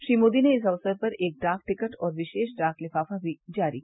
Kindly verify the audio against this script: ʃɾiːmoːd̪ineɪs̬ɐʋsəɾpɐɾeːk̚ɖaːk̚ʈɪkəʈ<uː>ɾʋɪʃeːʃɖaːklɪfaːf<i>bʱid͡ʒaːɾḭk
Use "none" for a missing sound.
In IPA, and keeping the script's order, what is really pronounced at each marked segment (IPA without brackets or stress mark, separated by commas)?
ɔː, a